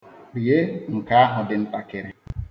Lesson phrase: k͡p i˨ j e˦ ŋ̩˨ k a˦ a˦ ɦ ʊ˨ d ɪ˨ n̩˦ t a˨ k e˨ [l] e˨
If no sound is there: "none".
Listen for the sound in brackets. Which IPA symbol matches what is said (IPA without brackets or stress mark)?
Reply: ɾ